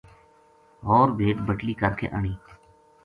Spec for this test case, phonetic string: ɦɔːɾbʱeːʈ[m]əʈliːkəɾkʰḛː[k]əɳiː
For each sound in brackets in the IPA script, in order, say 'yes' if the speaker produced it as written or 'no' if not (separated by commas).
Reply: no, no